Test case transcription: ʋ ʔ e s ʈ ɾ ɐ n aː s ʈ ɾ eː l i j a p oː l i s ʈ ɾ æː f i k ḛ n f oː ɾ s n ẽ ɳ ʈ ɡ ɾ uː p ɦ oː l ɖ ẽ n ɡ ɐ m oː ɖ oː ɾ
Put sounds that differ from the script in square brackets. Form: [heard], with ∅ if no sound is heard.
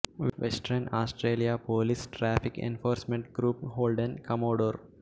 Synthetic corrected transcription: ʋ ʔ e s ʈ ɾ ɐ n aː s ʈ ɾ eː l i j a p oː l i s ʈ ɾ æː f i k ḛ n f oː ɾ s [m] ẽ ɳ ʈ ɡ ɾ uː p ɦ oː l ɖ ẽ n [k] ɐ m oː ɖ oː ɾ